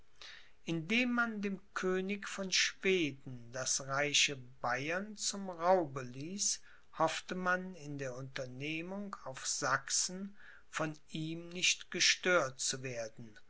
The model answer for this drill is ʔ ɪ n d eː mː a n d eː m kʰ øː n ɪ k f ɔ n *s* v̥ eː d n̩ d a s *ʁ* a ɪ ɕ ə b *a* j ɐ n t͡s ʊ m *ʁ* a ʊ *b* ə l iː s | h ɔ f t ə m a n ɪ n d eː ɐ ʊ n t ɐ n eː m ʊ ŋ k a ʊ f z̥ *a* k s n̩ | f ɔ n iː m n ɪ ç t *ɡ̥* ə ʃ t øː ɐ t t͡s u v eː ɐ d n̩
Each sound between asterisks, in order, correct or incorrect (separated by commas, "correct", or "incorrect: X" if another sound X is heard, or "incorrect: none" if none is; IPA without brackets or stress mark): incorrect: ʃ, correct, correct, correct, correct, correct, correct